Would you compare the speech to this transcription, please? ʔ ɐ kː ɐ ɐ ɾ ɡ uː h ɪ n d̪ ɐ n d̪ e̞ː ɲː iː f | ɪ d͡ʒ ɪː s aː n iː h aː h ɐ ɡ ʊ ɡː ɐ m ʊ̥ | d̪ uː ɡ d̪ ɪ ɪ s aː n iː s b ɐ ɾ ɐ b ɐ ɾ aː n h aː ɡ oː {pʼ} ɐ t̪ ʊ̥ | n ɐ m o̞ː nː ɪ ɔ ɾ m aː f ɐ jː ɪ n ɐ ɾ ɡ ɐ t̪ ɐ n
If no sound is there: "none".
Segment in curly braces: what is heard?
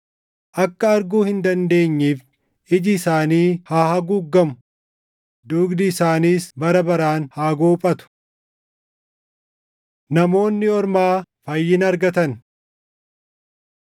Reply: pʼ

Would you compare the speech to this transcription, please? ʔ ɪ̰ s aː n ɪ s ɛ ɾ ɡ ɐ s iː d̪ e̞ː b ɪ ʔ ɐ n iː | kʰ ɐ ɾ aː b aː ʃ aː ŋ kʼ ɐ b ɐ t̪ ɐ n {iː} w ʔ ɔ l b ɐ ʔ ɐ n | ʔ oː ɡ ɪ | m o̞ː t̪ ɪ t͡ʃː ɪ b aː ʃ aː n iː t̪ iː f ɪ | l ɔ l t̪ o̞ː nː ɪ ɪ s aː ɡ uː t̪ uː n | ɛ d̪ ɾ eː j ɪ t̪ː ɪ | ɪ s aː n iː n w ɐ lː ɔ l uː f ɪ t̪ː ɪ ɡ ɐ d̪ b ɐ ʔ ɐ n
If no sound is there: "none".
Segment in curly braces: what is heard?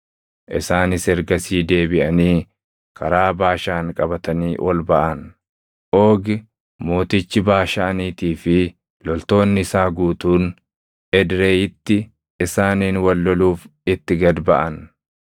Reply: iː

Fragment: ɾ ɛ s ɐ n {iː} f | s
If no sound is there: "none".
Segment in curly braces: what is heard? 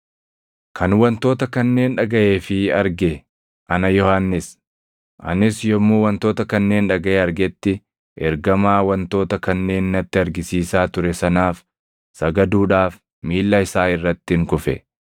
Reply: aː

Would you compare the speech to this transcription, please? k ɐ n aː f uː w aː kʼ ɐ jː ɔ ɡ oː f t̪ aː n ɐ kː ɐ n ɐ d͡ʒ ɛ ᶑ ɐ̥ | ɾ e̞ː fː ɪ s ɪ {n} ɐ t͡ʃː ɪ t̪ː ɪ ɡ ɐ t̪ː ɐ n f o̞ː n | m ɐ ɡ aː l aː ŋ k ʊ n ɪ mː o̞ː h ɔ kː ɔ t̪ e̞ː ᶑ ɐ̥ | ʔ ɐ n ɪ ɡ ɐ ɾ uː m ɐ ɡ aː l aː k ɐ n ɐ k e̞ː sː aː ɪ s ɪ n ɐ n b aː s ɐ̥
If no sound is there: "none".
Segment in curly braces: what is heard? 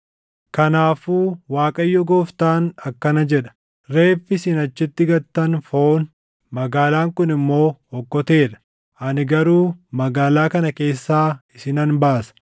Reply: n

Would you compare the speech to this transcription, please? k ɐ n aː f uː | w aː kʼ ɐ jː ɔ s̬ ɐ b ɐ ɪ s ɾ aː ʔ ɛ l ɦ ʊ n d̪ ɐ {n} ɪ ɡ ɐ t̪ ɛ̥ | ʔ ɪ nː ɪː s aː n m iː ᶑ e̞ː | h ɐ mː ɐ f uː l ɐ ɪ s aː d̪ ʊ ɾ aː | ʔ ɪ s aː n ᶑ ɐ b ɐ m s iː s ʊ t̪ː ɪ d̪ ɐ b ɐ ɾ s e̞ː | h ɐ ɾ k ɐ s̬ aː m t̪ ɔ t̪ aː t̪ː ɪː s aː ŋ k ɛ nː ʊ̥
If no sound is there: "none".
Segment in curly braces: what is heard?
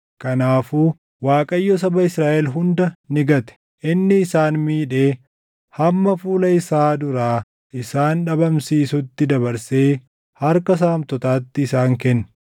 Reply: n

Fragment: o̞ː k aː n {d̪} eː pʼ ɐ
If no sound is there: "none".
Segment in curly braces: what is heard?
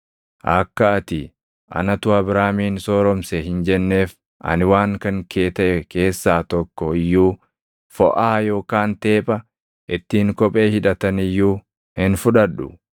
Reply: t̪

